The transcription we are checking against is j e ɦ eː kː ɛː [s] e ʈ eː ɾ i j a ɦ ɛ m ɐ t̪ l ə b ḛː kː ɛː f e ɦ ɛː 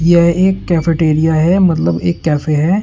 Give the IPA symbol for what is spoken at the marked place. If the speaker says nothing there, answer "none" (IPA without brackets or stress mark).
f